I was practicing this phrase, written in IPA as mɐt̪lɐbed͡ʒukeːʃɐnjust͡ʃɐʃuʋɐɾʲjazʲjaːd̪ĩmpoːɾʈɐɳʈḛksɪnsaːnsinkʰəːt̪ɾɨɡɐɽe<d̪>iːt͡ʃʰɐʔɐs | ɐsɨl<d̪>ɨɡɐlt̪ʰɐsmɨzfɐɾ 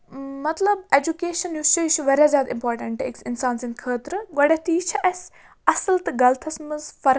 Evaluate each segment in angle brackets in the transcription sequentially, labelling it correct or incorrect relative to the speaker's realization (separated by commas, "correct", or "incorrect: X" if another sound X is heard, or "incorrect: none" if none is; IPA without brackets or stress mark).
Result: incorrect: t̪, incorrect: t̪